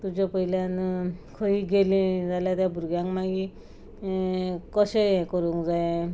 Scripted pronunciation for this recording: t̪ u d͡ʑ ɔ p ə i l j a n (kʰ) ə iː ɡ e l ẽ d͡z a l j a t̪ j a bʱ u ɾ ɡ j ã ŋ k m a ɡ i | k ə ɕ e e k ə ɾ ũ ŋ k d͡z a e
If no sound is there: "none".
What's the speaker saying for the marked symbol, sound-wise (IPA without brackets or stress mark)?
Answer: kʰ